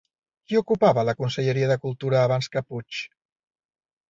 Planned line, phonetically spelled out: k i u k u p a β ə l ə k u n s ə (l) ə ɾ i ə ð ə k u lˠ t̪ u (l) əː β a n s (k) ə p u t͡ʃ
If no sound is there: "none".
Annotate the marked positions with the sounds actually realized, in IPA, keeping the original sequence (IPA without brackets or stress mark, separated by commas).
ʎ, ɾ, k